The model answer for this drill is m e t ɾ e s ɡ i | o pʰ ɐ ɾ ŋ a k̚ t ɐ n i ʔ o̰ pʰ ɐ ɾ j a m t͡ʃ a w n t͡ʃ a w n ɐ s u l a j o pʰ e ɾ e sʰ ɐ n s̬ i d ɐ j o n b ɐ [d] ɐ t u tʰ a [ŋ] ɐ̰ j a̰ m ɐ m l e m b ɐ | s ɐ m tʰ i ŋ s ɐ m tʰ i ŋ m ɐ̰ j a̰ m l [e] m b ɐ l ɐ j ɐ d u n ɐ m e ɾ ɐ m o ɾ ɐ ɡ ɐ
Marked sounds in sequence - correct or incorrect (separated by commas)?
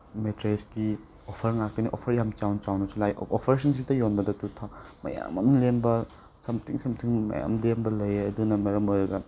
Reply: correct, incorrect, correct